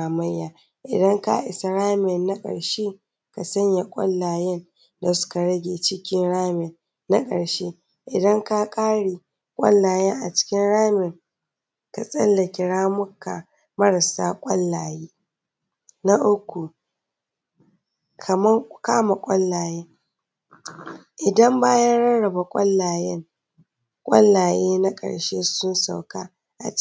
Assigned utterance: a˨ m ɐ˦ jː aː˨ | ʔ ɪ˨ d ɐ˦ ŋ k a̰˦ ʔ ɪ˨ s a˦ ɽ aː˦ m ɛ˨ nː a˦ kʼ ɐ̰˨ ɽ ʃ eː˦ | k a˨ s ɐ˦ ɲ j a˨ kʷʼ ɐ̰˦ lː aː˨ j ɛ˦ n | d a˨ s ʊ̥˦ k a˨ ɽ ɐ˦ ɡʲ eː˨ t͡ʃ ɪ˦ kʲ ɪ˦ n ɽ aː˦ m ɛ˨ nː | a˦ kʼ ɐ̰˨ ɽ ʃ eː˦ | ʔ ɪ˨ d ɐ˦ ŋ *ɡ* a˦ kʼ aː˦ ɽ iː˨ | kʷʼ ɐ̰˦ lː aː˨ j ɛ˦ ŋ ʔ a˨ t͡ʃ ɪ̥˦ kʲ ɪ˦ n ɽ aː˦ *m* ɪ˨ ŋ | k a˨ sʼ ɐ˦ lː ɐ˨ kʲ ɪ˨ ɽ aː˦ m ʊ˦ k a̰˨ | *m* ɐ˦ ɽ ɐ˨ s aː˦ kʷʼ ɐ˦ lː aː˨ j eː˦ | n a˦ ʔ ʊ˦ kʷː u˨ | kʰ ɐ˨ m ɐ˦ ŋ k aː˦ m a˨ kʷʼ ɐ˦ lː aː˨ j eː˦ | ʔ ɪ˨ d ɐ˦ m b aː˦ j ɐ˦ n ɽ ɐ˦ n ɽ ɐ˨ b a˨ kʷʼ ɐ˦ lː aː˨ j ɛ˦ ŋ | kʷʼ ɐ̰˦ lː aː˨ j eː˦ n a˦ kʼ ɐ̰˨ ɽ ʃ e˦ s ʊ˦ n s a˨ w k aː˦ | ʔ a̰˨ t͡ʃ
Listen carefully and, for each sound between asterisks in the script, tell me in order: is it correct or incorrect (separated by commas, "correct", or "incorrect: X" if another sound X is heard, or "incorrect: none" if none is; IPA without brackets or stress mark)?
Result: incorrect: k, correct, correct